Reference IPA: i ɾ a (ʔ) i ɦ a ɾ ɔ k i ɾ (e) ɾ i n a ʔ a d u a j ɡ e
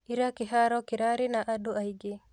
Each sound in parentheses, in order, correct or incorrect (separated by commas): incorrect, incorrect